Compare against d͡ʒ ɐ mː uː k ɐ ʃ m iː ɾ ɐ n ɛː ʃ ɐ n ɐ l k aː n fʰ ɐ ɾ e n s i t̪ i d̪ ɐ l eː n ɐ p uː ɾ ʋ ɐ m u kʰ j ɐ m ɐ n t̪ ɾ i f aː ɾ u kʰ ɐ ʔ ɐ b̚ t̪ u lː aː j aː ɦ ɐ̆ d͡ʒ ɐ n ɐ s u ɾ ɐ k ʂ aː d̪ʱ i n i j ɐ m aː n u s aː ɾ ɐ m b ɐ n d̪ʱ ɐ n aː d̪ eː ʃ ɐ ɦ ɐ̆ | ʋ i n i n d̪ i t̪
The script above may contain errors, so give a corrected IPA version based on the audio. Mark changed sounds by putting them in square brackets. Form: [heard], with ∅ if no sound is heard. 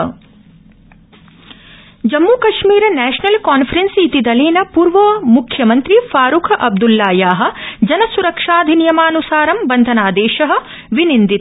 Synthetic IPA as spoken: d͡ʒ ɐ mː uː k ɐ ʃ m iː ɾ ɐ n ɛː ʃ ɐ n ɐ l k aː n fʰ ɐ ɾ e n s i t̪ i d̪ ɐ l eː n ɐ p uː ɾ ʋ ɐ m u kʰ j ɐ m ɐ n t̪ ɾ i f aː ɾ u kʰ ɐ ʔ ɐ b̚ [d̪] u lː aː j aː ɦ ɐ̆ d͡ʒ ɐ n ɐ s u ɾ ɐ k ʂ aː d̪ʱ i n i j ɐ m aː n u s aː ɾ ɐ m b ɐ n d̪ʱ ɐ n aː d̪ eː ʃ ɐ ɦ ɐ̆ | ʋ i n i n d̪ i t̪